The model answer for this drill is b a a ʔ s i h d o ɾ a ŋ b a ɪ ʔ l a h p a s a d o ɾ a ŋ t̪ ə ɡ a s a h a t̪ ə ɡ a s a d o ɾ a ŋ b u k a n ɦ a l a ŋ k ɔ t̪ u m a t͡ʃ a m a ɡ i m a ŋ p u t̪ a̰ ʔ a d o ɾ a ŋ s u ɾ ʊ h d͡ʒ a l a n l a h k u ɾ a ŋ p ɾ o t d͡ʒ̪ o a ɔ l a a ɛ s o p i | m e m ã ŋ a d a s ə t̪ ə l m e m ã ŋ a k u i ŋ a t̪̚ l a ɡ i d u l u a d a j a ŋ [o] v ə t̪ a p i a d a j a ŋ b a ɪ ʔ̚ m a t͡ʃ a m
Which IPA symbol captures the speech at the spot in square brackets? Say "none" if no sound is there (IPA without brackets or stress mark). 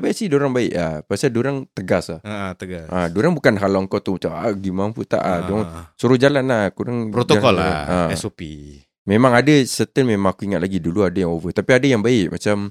o